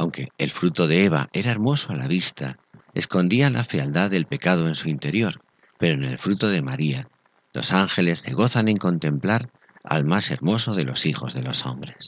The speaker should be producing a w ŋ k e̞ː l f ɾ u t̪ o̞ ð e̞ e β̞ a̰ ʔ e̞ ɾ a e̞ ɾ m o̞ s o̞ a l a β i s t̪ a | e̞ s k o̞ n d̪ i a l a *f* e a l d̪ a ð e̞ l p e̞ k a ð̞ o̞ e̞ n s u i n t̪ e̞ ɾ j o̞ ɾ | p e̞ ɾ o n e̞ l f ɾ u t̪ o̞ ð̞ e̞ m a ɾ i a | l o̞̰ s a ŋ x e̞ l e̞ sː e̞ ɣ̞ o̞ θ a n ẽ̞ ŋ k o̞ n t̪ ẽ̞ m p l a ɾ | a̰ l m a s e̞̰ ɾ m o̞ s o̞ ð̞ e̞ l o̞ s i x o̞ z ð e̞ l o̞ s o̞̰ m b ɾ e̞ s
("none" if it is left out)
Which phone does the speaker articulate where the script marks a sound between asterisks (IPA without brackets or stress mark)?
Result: f